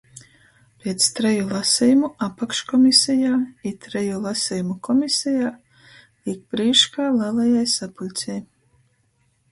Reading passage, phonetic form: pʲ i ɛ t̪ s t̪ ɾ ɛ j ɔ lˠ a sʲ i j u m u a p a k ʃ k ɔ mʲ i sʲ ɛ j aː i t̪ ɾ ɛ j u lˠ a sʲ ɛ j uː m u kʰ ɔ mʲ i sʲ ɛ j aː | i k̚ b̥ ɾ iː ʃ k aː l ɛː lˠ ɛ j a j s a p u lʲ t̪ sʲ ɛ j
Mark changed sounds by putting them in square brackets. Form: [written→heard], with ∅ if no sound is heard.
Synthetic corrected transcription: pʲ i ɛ t̪ s t̪ ɾ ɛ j [ɔ→u] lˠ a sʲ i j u m u a p a k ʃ k ɔ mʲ i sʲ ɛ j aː i t̪ ɾ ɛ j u lˠ a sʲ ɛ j [uː→u] m u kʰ ɔ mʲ i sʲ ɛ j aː | i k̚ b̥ ɾ iː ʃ k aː l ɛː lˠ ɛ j a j s a p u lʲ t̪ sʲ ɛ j